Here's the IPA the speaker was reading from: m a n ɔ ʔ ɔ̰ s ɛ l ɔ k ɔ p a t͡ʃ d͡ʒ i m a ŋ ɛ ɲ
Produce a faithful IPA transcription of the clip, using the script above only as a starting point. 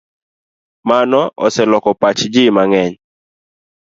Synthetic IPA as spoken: m a n ɔ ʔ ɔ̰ s ɛ l ɔ k ɔ p a t͡ʃ d͡ʒ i m a ŋ ɛ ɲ